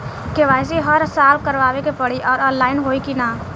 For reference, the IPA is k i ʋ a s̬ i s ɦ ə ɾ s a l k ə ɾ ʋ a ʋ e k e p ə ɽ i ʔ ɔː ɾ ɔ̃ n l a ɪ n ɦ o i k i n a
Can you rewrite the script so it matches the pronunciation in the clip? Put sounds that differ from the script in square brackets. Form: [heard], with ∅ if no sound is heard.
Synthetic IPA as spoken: k [e] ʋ a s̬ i [∅] ɦ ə ɾ s a l k ə ɾ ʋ a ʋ e k e p ə ɽ i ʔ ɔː ɾ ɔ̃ n l a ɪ n ɦ o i k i n a

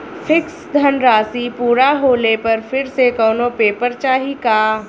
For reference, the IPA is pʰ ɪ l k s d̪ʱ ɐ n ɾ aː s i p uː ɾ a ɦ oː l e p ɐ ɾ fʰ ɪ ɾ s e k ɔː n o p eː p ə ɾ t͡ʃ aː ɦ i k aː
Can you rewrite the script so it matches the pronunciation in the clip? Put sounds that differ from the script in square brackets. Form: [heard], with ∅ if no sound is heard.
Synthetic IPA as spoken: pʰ ɪ [∅] k s d̪ʱ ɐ n ɾ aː s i p uː ɾ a ɦ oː l e p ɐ ɾ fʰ ɪ ɾ s e k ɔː n o p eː p ə ɾ t͡ʃ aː ɦ i k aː

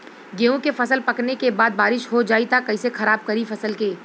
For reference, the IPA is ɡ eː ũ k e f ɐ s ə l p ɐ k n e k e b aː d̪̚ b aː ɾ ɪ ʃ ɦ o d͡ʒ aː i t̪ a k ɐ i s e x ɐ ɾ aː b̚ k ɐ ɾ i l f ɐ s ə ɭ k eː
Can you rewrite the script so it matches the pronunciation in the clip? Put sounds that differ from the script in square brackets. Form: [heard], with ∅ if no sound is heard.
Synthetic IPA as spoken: ɡ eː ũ k e f ɐ s ə l p ɐ k n e k e b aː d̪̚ b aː ɾ ɪ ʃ ɦ o d͡ʒ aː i t̪ a k ɐ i s e x ɐ ɾ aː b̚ k ɐ ɾ i [∅] f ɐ s ə [l] k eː

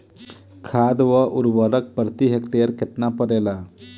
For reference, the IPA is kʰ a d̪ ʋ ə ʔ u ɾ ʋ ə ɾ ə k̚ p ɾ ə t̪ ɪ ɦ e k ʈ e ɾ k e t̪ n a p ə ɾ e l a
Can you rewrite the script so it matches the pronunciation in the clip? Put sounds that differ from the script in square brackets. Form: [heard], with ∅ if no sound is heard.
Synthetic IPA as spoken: kʰ a d̪ ʋ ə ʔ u ɾ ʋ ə ɾ ə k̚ p ɾ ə t̪ [i] ɦ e k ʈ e ɾ k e t̪ n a p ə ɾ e l a

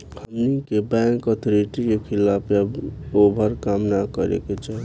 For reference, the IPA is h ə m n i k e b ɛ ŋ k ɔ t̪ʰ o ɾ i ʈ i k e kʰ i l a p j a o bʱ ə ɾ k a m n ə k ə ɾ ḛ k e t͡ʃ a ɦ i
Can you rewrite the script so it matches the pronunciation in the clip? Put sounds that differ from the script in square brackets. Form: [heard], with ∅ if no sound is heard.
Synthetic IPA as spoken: h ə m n i k e b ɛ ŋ k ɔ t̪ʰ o ɾ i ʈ i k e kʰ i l a p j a o bʱ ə ɾ k a m n [a] k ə ɾ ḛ k e t͡ʃ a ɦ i

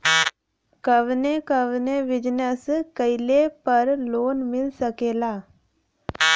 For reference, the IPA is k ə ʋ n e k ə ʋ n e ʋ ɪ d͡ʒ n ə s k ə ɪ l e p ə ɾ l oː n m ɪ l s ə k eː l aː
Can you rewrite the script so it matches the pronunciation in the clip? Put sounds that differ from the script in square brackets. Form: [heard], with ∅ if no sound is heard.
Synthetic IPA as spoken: k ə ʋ n e k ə ʋ n e ʋ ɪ d͡ʒ n ə s k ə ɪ l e p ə ɾ l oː n m ɪ l s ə k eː l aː

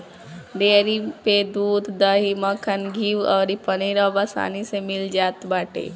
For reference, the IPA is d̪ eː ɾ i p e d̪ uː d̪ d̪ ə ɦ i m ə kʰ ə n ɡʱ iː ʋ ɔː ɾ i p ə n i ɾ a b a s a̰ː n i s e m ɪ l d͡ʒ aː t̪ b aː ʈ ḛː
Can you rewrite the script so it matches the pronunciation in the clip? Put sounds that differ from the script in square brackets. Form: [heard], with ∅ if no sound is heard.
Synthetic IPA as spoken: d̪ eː ɾ i p e d̪ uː d̪ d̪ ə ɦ i m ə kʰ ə n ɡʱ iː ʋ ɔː ɾ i p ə n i ɾ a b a s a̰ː n i s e m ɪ l d͡ʒ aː t̪ b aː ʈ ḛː

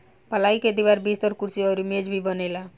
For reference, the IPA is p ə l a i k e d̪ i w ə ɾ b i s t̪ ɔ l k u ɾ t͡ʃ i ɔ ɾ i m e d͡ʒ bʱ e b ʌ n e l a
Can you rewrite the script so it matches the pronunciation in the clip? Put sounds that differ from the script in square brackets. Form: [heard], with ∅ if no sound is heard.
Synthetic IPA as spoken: p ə l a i k e d̪ i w [a] ɾ b i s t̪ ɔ [ɾ] k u ɾ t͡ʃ i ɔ ɾ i m e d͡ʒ bʱ [i] b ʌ n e l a

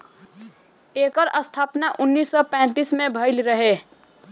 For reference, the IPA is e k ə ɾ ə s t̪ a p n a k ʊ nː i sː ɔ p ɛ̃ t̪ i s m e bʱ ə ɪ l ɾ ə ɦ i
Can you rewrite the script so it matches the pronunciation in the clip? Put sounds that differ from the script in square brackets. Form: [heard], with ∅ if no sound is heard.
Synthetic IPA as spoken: e k ə ɾ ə s [t̪ʰ] a p n a [ʔ] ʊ nː i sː ɔ p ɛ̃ t̪ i s m e bʱ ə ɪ l ɾ ə ɦ [e]

